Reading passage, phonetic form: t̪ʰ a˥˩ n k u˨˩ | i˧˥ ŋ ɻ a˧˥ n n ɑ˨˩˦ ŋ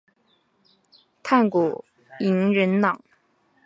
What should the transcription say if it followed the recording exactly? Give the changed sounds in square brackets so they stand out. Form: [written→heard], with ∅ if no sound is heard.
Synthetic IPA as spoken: t̪ʰ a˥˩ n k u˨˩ | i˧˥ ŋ ɻ [a˧˥→ə˧˥] n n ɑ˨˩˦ ŋ